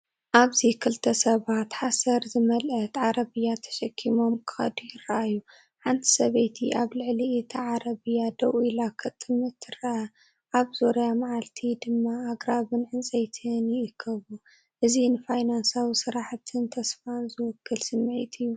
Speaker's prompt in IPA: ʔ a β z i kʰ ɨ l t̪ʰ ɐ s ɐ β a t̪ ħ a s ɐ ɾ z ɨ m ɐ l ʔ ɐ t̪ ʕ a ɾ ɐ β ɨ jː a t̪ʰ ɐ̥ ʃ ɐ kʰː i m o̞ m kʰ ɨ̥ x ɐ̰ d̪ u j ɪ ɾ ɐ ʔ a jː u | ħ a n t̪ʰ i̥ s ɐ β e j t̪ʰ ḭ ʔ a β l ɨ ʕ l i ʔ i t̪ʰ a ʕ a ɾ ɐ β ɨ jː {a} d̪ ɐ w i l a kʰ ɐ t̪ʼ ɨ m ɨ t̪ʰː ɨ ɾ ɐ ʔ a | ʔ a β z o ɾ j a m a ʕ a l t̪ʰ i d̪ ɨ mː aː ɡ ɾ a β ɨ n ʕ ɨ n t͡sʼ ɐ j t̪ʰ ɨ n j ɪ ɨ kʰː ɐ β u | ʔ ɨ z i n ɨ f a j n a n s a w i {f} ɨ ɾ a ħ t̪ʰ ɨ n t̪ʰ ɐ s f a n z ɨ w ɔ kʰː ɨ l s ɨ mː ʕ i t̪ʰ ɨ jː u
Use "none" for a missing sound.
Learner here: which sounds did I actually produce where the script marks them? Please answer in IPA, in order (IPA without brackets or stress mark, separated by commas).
a, s